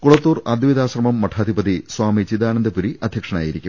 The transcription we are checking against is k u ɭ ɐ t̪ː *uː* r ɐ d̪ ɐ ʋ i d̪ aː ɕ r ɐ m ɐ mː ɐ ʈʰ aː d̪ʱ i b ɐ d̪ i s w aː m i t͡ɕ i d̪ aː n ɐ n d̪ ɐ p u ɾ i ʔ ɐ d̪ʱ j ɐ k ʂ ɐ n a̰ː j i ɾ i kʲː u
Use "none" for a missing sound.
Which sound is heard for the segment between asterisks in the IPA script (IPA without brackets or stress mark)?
uː